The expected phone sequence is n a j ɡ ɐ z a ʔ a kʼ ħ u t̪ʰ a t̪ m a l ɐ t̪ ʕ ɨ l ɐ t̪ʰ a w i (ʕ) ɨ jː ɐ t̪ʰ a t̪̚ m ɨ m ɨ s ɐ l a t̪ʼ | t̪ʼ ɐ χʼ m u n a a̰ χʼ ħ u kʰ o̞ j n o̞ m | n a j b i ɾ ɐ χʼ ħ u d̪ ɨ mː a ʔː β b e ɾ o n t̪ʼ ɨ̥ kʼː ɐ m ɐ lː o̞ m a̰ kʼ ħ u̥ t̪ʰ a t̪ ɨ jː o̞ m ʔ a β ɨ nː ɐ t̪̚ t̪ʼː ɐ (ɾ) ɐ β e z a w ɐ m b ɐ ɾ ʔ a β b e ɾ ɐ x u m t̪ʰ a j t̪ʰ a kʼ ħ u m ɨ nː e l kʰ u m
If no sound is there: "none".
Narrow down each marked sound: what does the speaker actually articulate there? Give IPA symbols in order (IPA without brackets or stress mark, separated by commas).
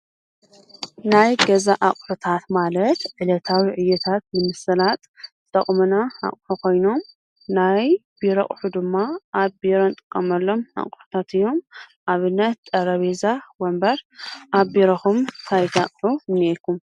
ʕ, ɾ